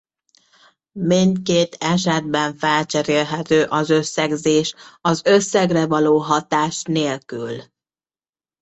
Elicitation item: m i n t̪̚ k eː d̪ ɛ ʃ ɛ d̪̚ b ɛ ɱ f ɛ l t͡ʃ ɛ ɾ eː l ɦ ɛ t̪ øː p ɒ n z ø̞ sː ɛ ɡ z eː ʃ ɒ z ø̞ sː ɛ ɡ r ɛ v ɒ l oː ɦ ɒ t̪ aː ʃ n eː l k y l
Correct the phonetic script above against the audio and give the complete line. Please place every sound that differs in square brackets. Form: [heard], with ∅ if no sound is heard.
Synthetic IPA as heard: m i n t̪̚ k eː [t̪] ɛ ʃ ɛ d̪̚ b ɛ ɱ f ɛ l t͡ʃ ɛ ɾ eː l ɦ ɛ t̪ øː [ʔ] ɒ [∅] z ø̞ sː ɛ ɡ z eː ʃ ɒ z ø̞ sː ɛ ɡ r ɛ v ɒ l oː ɦ ɒ t̪ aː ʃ n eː l k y l